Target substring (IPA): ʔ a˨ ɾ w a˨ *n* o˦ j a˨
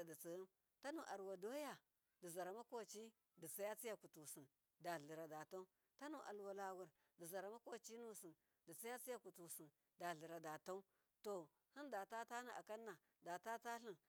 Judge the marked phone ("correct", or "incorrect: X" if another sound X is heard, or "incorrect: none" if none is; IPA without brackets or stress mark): incorrect: d